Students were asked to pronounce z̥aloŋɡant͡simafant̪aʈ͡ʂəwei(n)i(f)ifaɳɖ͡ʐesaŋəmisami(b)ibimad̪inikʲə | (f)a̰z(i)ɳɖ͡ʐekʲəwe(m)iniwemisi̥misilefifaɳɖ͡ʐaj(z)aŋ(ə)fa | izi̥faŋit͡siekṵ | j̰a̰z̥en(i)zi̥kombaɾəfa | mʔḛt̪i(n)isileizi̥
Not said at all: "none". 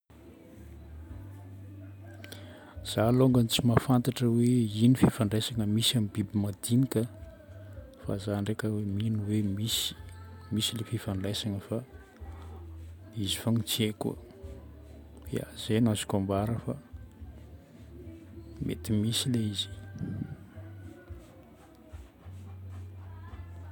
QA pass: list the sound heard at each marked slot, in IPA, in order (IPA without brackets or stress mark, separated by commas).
n, f, b, f, a, m, s, ə, a, m